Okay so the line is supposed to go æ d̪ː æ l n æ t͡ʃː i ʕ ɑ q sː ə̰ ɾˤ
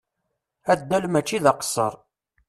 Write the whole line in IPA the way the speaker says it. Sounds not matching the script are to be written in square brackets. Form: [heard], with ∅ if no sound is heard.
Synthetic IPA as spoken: æ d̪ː æ l [m] æ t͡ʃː i [ð] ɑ q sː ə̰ ɾˤ